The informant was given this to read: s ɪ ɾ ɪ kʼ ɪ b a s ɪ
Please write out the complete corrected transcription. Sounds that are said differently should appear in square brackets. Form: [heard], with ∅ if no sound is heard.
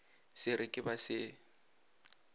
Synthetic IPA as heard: s ɪ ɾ ɪ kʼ ɪ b a s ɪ